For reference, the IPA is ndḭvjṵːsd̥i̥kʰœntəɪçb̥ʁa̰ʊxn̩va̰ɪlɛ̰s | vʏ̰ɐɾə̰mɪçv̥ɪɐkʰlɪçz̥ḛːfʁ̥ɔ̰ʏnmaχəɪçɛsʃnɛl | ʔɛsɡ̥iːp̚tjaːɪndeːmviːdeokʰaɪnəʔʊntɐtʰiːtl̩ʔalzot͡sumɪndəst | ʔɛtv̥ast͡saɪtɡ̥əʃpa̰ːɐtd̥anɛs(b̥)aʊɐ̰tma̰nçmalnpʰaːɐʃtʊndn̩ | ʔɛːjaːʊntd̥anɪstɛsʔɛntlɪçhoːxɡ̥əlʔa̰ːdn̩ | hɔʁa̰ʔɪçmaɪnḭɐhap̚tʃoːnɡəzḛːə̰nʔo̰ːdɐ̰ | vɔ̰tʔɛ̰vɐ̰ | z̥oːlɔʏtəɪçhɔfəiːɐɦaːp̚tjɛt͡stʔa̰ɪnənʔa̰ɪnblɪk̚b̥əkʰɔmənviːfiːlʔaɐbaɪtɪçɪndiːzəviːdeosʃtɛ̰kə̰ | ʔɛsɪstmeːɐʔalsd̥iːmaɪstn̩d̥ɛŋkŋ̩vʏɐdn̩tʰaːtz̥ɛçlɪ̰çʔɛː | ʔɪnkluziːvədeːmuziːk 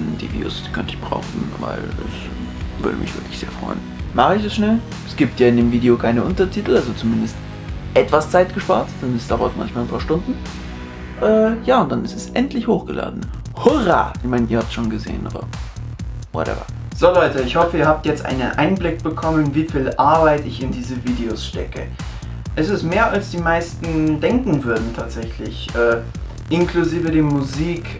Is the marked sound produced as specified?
no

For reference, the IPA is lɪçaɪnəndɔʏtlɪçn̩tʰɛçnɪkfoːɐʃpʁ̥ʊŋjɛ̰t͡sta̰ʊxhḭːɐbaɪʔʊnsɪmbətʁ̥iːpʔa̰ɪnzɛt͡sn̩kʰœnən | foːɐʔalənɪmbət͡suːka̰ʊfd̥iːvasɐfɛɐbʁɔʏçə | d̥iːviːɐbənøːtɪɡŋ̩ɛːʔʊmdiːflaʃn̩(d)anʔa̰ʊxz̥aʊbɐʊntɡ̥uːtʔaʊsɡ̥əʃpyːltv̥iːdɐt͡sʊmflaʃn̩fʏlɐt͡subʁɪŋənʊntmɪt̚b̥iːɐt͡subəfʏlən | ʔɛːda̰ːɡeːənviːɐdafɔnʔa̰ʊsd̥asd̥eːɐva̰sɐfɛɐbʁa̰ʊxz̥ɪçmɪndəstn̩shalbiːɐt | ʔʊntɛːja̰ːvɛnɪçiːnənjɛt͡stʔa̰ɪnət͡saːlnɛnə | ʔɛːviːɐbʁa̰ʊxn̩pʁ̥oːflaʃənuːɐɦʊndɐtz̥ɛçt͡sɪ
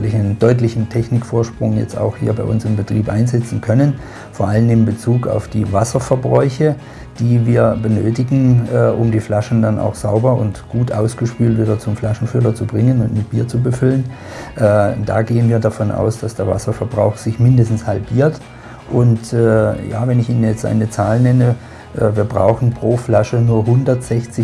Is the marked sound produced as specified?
yes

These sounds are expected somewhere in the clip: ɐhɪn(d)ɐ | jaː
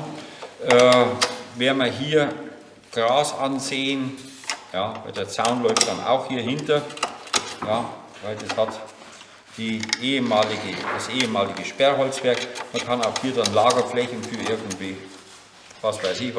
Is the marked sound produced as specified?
no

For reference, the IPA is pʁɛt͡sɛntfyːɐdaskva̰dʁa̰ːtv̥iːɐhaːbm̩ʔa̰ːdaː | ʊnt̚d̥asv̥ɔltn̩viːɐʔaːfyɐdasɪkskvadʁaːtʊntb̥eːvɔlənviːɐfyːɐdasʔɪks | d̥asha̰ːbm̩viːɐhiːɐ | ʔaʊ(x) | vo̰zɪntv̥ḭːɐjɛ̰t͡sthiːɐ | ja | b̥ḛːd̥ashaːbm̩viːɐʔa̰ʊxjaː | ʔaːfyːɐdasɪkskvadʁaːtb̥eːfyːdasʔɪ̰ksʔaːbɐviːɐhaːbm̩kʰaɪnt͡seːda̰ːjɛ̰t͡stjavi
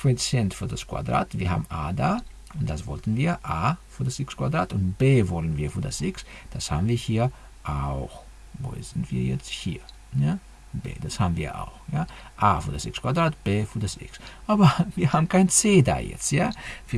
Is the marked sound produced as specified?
yes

